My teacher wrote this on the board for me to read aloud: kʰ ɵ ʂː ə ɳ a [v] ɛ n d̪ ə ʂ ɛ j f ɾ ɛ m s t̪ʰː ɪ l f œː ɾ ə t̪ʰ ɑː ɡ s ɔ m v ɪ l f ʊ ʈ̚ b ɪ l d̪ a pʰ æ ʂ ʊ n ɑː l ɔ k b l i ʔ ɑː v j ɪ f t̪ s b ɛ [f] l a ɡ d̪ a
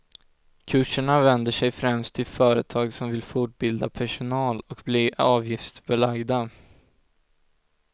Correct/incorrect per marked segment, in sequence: correct, incorrect: none

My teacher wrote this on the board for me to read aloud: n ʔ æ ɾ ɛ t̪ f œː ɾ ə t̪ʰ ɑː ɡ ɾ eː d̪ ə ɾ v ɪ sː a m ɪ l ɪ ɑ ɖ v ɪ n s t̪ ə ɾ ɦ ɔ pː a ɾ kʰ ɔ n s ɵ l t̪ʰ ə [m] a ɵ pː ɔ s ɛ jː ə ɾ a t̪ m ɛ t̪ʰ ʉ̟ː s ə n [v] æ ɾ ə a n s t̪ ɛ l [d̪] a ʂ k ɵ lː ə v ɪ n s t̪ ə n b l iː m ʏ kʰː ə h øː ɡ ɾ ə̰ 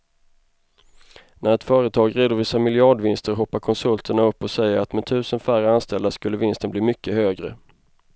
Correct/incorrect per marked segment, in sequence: incorrect: ɳ, incorrect: f, correct

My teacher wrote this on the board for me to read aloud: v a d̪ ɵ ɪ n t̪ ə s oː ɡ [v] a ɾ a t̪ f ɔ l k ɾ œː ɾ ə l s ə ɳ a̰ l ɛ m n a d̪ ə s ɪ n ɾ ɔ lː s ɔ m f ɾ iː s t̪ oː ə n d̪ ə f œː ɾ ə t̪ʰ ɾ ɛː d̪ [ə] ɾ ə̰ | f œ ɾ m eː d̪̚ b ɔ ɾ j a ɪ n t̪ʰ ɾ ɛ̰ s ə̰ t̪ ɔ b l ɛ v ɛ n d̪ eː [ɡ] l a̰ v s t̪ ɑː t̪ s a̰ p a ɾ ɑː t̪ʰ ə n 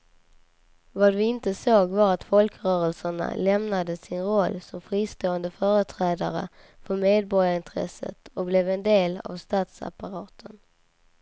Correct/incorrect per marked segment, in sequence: correct, incorrect: a, incorrect: none

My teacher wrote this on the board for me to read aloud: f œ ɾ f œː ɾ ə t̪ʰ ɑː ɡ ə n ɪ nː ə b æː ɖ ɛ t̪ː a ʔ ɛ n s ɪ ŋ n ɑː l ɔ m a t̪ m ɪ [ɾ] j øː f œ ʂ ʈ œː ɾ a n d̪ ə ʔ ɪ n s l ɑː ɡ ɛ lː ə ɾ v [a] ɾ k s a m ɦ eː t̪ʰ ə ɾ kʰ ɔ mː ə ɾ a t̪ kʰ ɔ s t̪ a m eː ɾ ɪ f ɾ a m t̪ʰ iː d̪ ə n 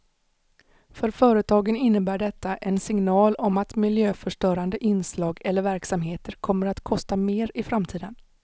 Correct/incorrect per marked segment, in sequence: incorrect: l, incorrect: æ

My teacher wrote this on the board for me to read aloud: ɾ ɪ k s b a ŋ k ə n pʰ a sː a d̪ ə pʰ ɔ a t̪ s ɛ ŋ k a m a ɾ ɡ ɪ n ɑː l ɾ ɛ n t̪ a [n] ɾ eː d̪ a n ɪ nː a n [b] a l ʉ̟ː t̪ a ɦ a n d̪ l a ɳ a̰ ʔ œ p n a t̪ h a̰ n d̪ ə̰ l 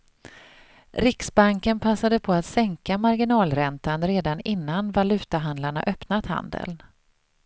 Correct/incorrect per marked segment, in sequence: correct, incorrect: v

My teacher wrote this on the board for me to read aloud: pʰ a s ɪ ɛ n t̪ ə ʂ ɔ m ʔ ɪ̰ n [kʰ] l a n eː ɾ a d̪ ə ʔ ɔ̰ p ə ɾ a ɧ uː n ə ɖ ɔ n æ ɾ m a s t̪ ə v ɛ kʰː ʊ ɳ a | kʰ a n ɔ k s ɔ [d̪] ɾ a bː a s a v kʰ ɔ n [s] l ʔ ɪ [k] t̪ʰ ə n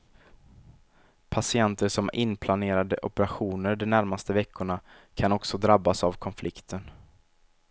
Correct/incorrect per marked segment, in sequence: incorrect: pʰ, correct, incorrect: f, correct

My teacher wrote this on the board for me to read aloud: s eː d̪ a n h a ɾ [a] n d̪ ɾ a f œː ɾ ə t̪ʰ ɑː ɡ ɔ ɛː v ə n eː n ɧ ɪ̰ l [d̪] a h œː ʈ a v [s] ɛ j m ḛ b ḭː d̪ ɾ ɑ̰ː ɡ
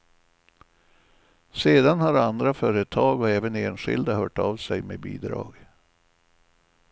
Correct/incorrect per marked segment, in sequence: correct, correct, correct

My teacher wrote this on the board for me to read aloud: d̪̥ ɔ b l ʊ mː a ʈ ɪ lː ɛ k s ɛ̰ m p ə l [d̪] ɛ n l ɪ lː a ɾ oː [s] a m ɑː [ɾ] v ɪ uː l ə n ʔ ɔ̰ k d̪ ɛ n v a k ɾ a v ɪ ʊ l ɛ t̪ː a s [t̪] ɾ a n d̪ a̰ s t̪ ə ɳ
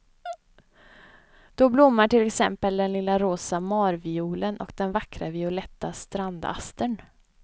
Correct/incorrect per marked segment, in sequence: correct, correct, correct, correct

